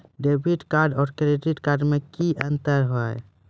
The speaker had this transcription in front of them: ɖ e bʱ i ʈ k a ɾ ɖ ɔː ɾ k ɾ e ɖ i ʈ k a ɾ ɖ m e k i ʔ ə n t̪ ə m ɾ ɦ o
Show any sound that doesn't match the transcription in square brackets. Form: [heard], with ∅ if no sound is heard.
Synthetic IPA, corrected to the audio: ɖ e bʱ i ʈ k a ɾ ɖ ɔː ɾ k ɾ e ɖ i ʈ k a ɾ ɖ m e k i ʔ ə n t̪ ə [∅] ɾ ɦ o